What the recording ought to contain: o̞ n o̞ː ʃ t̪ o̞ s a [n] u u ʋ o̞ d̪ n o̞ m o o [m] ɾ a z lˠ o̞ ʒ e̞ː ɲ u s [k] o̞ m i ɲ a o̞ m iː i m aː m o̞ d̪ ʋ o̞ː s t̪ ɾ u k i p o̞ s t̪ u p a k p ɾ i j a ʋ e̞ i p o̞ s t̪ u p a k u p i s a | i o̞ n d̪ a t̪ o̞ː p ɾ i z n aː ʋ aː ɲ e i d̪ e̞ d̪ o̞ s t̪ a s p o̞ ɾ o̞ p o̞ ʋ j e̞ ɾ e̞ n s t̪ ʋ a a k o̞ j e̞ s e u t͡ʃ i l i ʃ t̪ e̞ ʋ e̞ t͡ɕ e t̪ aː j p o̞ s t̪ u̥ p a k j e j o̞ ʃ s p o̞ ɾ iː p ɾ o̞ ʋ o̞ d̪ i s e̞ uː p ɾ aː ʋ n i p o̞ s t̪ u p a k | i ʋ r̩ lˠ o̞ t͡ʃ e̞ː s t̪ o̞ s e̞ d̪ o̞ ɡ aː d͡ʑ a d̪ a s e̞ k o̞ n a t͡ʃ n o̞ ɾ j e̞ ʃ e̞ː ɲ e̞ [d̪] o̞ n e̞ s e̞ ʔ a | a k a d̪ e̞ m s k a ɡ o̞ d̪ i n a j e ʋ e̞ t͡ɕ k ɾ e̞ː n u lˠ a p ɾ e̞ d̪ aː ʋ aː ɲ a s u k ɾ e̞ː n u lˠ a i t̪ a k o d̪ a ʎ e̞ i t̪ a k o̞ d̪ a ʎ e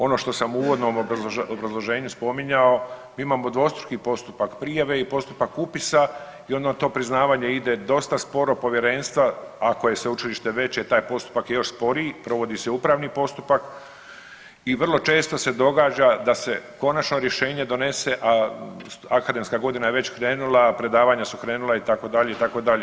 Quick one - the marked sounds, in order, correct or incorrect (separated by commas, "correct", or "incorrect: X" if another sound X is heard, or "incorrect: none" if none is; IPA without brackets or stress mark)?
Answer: incorrect: m, incorrect: b, incorrect: p, correct